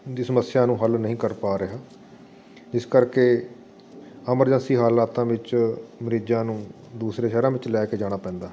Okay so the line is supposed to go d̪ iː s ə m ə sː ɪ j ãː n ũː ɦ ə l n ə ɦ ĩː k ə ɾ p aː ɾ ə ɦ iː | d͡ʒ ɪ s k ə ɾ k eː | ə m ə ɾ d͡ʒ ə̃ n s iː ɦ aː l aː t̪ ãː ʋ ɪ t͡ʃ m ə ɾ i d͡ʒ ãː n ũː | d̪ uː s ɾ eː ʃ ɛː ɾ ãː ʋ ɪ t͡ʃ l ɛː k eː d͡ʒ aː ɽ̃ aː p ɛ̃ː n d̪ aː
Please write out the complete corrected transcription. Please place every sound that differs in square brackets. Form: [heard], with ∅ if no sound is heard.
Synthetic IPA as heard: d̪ iː s ə m ə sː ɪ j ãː n ũː ɦ ə l n ə ɦ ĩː k ə ɾ p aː ɾ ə ɦ [aː] | d͡ʒ ɪ s k ə ɾ k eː | ə m ə ɾ d͡ʒ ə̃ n s iː ɦ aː l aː t̪ ãː ʋ ɪ t͡ʃ m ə ɾ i d͡ʒ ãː n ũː | d̪ uː s ɾ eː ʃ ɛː ɾ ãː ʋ ɪ t͡ʃ l ɛː k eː d͡ʒ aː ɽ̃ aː p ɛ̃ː n d̪ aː